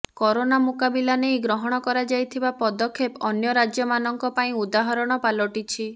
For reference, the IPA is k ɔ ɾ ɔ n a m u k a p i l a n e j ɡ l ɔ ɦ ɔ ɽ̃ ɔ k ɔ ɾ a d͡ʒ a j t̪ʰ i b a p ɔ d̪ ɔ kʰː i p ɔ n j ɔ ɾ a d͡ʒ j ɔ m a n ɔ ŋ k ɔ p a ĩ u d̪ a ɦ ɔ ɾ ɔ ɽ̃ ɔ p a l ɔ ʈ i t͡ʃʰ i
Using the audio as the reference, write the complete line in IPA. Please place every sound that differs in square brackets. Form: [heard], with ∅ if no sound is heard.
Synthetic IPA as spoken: k ɔ ɾ [o] n a m u k a [b] i l a n e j ɡ [ɾ] ɔ ɦ ɔ ɽ̃ ɔ k ɔ ɾ a d͡ʒ a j t̪ʰ i b a p ɔ d̪ ɔ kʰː [e] p ɔ n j ɔ ɾ a d͡ʒ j ɔ m a n ɔ ŋ k ɔ p a ĩ u d̪ a ɦ ɔ ɾ ɔ ɽ̃ ɔ p a l ɔ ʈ i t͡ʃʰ i